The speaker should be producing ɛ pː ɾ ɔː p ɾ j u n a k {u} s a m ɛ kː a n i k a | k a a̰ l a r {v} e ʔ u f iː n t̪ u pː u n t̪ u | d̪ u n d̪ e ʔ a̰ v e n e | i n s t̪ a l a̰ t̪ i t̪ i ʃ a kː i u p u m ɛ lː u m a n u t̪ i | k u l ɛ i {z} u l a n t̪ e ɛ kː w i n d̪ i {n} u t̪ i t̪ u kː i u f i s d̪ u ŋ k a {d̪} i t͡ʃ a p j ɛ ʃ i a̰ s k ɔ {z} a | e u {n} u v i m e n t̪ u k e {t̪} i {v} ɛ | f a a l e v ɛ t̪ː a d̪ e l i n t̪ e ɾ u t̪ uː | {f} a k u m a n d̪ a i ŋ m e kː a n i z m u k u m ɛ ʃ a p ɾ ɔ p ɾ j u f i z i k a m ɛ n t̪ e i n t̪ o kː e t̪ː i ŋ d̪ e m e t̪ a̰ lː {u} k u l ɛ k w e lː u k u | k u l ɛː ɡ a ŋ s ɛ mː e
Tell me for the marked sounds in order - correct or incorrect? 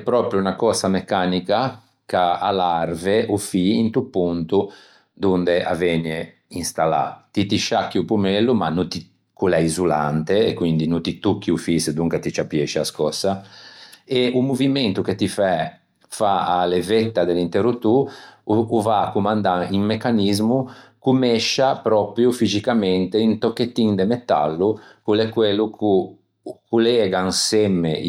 incorrect, correct, correct, correct, incorrect, incorrect, incorrect, correct, incorrect, incorrect, correct

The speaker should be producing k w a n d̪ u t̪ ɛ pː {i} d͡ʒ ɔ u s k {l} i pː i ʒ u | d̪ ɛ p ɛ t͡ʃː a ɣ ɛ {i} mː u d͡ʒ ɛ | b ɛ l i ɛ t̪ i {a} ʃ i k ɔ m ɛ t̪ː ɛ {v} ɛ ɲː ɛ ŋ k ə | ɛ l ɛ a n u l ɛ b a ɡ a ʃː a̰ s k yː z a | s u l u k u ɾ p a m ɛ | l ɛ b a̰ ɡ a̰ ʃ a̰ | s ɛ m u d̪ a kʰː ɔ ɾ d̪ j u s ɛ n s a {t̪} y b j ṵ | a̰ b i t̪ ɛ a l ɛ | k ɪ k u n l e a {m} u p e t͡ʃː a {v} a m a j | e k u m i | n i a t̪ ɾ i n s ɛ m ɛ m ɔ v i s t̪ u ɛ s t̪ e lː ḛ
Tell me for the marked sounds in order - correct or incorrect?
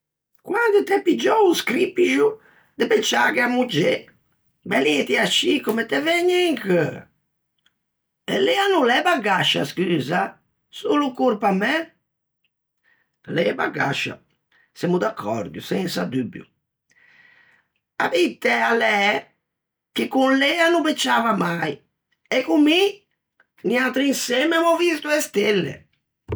correct, incorrect, incorrect, correct, correct, incorrect, incorrect, correct

